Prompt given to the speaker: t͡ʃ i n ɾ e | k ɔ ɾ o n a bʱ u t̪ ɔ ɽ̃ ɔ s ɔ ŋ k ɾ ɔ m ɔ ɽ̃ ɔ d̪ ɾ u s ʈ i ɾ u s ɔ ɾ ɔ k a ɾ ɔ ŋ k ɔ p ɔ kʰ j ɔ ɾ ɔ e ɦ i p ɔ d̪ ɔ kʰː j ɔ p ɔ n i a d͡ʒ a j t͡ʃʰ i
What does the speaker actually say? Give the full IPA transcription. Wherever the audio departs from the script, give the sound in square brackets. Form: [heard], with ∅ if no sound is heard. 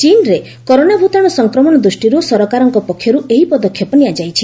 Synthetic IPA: t͡ʃ i n ɾ e | k ɔ ɾ o n a bʱ u t̪ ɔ ɽ̃ ɔ s ɔ ŋ k ɾ ɔ m ɔ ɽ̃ ɔ d̪ ɾ u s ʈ i ɾ u s ɔ ɾ ɔ k a ɾ ɔ ŋ k ɔ p ɔ kʰ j ɔ ɾ [u] e ɦ i p ɔ d̪ ɔ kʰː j ɔ p ɔ n i a d͡ʒ a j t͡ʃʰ i